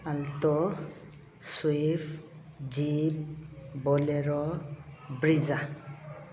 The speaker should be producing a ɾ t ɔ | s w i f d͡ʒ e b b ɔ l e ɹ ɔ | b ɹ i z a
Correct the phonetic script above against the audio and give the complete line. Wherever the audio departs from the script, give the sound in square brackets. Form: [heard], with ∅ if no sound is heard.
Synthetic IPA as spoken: a [l] t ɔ | s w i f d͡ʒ [i] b b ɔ l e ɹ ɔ | b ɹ i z a